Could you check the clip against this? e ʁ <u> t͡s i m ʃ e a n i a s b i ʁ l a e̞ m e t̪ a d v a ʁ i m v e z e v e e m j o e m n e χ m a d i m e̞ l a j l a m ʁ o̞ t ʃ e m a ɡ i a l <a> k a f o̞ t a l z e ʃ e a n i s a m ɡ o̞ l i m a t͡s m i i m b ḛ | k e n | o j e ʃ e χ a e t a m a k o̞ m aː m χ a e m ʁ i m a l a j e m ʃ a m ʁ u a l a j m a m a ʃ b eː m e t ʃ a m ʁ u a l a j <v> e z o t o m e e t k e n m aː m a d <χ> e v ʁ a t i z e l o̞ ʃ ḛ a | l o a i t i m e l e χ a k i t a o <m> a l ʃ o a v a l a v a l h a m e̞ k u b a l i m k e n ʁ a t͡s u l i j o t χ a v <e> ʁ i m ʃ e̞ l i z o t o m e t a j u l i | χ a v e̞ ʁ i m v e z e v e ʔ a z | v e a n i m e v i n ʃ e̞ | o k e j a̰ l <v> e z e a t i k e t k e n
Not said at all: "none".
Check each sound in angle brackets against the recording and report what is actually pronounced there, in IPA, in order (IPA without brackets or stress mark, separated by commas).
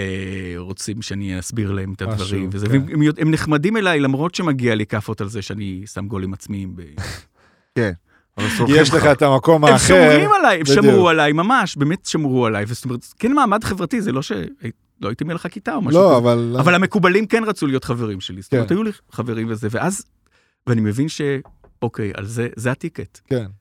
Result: o, i, v, χ, m, e, z